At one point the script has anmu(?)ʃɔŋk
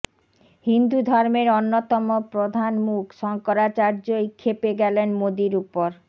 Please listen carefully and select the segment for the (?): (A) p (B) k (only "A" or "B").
B